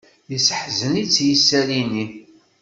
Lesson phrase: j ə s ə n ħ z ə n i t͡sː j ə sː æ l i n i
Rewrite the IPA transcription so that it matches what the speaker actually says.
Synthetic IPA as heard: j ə s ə ħ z ə n i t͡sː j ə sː æ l i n i